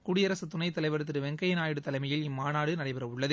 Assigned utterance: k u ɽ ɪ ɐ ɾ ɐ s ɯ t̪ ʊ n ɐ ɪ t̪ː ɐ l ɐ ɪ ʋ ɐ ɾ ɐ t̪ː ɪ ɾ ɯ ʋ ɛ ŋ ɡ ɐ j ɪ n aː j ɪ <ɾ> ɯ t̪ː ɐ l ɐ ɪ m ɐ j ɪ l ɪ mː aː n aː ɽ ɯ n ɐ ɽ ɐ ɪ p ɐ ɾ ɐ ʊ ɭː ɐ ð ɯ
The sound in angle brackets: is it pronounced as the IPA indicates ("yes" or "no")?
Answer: no